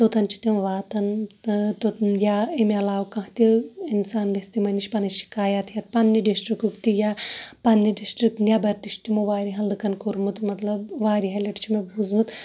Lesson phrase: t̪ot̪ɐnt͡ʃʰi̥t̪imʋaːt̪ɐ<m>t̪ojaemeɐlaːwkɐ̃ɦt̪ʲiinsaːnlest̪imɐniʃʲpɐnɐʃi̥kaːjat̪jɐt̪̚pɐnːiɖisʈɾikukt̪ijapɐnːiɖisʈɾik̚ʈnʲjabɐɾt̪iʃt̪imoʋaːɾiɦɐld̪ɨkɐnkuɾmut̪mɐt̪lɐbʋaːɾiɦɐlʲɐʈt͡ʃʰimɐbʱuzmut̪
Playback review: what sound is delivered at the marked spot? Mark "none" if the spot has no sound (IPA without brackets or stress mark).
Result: n